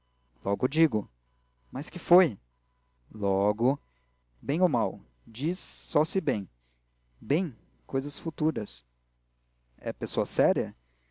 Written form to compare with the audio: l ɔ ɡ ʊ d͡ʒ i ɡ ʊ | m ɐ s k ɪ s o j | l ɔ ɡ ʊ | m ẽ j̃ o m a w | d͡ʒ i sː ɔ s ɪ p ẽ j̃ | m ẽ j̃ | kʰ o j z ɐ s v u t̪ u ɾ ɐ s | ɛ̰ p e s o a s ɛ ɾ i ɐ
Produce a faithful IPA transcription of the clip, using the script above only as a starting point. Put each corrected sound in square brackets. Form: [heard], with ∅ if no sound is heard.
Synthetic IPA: l ɔ ɡ ʊ d͡ʒ i ɡ ʊ | m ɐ s k ɪ [f] o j | l ɔ ɡ ʊ | [b] ẽ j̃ o m a w | d͡ʒ i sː ɔ s ɪ [b] ẽ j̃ | [b] ẽ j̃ | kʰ o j z ɐ s [f] u t̪ u ɾ ɐ s | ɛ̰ p e s o [ɐ] s ɛ ɾ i ɐ